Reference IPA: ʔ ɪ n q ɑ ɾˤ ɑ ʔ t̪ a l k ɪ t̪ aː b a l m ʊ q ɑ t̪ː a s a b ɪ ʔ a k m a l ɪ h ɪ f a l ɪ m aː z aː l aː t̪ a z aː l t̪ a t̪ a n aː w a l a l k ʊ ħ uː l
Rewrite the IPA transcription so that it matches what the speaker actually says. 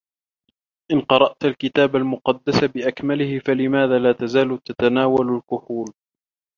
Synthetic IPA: ʔ ɪ n q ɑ ɾˤ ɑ ʔ t̪ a l k ɪ t̪ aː b a l m ʊ q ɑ d̪ː a s a b ɪ ʔ a k m a l ɪ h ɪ f a l ɪ m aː ð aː l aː t̪ a z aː l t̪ a t̪ a n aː w a l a l k ʊ ħ uː l

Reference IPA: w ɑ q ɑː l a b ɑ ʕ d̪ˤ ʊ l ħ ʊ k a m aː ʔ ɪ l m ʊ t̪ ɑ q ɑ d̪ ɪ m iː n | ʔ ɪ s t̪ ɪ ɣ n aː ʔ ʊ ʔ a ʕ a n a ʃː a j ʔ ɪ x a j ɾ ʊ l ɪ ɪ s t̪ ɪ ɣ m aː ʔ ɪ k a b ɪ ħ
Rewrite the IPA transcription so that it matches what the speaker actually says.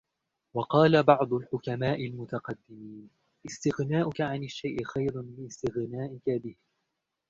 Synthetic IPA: w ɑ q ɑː l a b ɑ ʕ d̪ˤ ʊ l ħ ʊ k a m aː ʔ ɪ l m ʊ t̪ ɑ q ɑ d̪ː ɪ m iː n | ʔ ɪ s t̪ ɪ ɣ n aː ʔ ʊ k a ʕ a n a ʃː a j ʔ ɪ x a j ɾ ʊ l ɪ ɪ s t̪ ɪ ɣ n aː ʔ ɪ k a b ɪ h

